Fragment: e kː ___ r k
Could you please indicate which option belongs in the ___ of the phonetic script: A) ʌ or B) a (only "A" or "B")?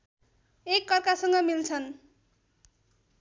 A